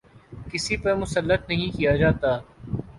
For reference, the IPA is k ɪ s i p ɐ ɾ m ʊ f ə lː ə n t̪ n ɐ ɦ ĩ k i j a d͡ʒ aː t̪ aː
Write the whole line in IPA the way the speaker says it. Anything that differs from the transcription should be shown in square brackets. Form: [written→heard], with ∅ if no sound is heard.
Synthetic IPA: k ɪ s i p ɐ ɾ m ʊ [f→s] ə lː ə [n→∅] t̪ n ɐ ɦ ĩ k i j a d͡ʒ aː t̪ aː